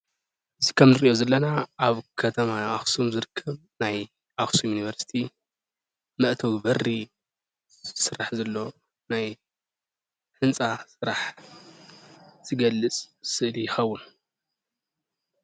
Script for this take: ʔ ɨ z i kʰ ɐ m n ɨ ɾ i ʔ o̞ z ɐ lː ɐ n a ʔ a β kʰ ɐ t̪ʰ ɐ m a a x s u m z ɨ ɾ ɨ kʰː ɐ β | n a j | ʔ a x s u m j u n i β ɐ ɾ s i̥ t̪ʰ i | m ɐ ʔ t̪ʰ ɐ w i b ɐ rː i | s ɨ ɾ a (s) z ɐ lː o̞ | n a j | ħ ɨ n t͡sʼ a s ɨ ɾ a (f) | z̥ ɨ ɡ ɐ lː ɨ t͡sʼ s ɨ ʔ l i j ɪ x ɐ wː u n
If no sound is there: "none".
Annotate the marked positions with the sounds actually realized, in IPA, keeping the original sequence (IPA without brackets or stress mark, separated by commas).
ħ, ħ